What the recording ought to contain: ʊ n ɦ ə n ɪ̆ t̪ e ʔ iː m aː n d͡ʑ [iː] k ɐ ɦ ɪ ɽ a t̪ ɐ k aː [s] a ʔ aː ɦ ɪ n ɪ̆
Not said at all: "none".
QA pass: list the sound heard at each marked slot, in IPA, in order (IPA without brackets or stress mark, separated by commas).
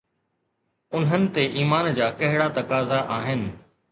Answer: aː, z